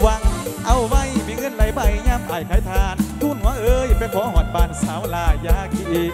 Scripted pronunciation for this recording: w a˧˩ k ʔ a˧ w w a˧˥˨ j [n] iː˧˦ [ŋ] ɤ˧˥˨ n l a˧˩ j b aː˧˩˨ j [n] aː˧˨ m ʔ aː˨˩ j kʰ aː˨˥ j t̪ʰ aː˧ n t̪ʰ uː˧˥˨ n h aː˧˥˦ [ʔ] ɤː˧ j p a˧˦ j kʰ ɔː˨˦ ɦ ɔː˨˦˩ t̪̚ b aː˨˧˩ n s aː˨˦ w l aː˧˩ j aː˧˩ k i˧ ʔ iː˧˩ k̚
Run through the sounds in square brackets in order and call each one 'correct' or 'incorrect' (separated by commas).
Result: incorrect, correct, incorrect, correct